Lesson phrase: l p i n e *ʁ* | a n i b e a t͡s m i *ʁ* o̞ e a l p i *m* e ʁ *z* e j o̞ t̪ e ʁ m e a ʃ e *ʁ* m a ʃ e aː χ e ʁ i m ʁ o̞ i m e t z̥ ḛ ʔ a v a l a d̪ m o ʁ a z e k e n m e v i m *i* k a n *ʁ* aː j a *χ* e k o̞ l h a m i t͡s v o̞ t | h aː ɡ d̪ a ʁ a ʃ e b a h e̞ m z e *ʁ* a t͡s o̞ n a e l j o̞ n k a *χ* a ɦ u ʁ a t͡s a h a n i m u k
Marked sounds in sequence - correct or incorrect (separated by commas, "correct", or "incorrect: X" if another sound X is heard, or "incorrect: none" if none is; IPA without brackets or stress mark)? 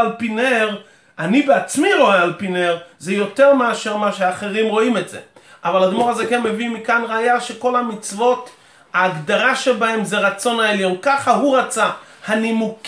correct, correct, incorrect: n, correct, correct, correct, correct, incorrect: ʃ, correct, correct